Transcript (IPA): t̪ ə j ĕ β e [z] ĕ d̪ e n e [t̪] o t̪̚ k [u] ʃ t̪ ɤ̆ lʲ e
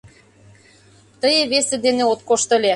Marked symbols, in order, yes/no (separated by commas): no, no, no